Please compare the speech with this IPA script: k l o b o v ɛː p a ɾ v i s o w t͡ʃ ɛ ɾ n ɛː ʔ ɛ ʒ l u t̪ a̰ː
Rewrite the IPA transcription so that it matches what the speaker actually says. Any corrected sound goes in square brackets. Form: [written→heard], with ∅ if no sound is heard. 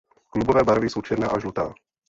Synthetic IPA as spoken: k l [o→u] b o v ɛː [p→b] a ɾ v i s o w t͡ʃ ɛ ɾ n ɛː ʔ [ɛ→a] ʒ l u t̪ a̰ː